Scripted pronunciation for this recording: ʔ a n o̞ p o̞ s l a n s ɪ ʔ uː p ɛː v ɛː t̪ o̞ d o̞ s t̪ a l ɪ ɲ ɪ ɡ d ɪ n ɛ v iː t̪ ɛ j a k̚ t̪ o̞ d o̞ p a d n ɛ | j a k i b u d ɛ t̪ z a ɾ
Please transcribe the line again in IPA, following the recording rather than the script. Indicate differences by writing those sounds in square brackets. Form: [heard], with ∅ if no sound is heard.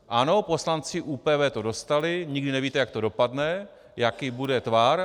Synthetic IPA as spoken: ʔ a n o̞ p o̞ s l a n [t͡s] ɪ ʔ uː p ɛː v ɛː t̪ o̞ d o̞ s t̪ a l ɪ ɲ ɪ ɡ d ɪ n ɛ v iː t̪ ɛ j a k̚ t̪ o̞ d o̞ p a d n ɛ | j a k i b u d ɛ t̪ [v] a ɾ